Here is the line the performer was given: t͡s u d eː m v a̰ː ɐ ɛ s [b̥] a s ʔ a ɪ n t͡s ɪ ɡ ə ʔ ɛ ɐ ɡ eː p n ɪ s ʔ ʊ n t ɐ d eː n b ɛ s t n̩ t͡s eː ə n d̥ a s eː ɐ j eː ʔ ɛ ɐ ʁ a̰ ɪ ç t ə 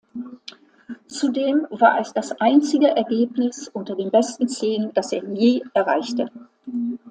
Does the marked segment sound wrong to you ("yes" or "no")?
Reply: yes